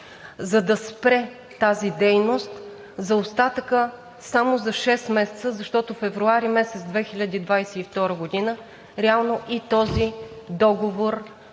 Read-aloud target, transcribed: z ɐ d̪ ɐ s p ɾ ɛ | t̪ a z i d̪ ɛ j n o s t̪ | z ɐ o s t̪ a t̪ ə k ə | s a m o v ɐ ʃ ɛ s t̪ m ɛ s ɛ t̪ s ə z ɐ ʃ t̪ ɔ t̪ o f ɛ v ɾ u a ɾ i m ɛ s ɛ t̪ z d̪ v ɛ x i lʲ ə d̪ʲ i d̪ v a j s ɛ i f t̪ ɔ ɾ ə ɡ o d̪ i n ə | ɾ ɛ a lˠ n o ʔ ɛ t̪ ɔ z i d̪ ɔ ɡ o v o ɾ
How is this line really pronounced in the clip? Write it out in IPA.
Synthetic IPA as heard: z ɐ d̪ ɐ s p ɾ ɛ | t̪ a z i d̪ ɛ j n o s t̪ | z ɐ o s t̪ a t̪ ə k ə | s a m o z ɐ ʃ ɛ s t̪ m ɛ s ɛ t̪ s ə z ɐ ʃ t̪ ɔ t̪ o f ɛ v ɾ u a ɾ i m ɛ s ɛ t̪ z d̪ v ɛ x i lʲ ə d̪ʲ i d̪ v a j s ɛ i f t̪ ɔ ɾ ə ɡ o d̪ i n ə | ɾ ɛ a lˠ n o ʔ i t̪ ɔ z i d̪ ɔ ɡ o v o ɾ